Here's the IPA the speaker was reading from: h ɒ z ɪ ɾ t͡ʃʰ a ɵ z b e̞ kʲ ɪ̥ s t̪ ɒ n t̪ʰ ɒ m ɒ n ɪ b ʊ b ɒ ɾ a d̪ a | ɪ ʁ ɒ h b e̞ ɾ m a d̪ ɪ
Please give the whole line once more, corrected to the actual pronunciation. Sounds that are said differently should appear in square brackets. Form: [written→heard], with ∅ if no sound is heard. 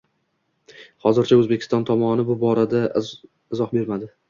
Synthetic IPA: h ɒ z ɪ ɾ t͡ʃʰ a ɵ z b e̞ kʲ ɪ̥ s t̪ ɒ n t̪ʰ ɒ m ɒ n ɪ b ʊ b ɒ ɾ a d̪ a | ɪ [ʁ→z] ɒ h b e̞ ɾ m a d̪ ɪ